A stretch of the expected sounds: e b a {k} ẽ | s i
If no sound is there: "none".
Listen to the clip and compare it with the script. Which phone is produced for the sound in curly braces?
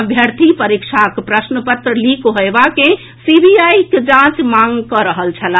k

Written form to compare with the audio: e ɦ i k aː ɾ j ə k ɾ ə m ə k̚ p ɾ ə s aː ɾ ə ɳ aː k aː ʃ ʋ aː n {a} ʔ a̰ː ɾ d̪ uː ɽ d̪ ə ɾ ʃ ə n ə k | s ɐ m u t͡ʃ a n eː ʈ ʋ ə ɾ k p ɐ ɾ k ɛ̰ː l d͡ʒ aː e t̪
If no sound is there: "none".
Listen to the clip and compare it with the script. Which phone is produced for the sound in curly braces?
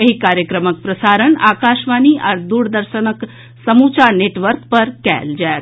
i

